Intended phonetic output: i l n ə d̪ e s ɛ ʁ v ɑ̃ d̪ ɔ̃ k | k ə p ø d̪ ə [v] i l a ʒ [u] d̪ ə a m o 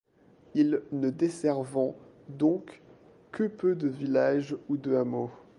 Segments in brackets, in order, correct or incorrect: correct, correct

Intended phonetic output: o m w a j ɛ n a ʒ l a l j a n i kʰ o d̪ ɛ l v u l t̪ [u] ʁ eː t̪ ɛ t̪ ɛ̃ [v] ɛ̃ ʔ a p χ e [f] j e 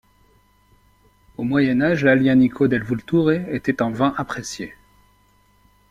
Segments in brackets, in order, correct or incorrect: correct, correct, incorrect: s

